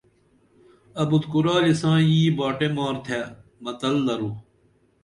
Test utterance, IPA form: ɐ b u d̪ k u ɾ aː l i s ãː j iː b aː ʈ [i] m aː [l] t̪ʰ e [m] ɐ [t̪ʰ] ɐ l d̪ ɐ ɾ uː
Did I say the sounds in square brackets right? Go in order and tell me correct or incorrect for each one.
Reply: incorrect: e, incorrect: ɾ, correct, incorrect: t̪

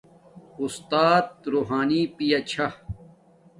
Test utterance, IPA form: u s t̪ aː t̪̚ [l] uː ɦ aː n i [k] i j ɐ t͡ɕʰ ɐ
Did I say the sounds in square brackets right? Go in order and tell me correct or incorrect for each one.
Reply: incorrect: ɾ, incorrect: p

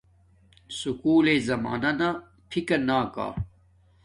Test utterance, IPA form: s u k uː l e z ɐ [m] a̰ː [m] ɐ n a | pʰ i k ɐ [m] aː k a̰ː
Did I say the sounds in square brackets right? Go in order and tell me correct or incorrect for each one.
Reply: correct, incorrect: n, incorrect: n

